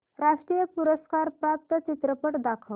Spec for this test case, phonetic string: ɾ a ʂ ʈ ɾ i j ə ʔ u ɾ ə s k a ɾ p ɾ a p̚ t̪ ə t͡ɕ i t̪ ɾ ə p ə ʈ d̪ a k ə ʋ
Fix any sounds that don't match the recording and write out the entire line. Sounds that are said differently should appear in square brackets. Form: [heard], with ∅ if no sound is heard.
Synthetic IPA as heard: ɾ a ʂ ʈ ɾ i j ə [p] u ɾ ə s k a ɾ p ɾ a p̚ t̪ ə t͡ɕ i t̪ ɾ ə p ə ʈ d̪ a [kʰ] ə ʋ